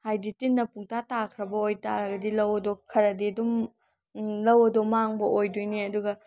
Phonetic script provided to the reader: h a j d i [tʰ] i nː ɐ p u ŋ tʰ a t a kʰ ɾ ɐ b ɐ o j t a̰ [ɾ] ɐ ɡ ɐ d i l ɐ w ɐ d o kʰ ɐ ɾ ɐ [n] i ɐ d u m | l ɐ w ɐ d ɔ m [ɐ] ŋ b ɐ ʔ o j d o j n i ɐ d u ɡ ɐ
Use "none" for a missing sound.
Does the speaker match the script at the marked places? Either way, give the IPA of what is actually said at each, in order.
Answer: t, ɾ, d, a

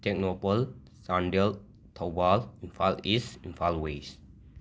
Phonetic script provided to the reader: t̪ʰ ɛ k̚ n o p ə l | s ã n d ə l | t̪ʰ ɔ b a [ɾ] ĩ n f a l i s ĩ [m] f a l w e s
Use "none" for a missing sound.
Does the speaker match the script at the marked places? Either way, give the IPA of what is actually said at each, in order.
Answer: l, n

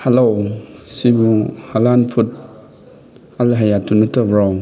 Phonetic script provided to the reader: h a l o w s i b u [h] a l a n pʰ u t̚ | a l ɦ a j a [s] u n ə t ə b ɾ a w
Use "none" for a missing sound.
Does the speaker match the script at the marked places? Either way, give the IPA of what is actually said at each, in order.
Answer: h, t

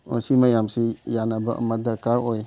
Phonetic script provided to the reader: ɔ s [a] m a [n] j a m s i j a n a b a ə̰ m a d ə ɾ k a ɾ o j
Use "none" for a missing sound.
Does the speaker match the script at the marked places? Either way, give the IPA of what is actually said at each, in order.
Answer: i, none

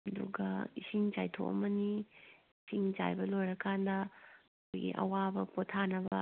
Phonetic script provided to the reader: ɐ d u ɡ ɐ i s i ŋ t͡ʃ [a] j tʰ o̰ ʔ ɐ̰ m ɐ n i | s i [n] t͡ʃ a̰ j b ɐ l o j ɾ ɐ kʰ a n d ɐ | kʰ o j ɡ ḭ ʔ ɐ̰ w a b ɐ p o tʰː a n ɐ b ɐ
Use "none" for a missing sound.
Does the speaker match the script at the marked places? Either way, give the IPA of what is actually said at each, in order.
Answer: a, ŋ

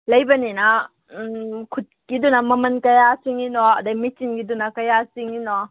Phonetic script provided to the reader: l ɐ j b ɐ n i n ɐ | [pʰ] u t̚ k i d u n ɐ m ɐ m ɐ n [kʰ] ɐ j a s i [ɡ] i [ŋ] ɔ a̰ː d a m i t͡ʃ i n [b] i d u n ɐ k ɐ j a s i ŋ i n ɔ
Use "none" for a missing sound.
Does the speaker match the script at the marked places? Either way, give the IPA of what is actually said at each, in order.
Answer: kʰ, k, ŋ, n, ɡ

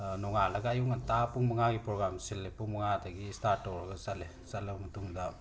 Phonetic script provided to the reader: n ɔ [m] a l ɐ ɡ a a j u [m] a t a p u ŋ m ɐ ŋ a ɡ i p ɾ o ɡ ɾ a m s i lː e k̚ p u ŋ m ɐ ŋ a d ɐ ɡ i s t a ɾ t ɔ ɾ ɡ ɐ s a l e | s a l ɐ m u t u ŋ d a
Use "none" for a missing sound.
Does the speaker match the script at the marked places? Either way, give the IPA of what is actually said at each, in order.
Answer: ŋ, ŋ

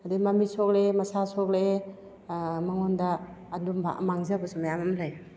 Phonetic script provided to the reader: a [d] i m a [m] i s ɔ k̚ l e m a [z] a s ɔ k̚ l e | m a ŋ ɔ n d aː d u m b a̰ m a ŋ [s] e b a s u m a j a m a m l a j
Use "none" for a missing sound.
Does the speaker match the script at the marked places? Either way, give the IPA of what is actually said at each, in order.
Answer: d, m, s, z

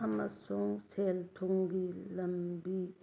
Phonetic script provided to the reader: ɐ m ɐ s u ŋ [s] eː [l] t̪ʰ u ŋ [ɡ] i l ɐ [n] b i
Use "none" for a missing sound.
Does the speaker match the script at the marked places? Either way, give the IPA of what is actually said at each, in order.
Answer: s, l, ɡ, m

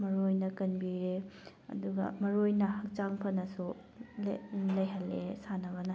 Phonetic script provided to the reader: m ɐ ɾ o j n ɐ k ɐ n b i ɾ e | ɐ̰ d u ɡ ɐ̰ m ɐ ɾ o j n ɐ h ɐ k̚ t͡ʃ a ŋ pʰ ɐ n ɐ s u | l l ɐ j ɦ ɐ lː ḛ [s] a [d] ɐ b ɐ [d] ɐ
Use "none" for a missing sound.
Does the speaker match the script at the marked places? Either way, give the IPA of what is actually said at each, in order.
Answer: s, n, n

